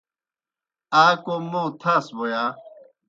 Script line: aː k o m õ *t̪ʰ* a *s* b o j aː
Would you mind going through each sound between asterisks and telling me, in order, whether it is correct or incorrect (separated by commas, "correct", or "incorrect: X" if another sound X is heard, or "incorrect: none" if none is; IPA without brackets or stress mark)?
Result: correct, correct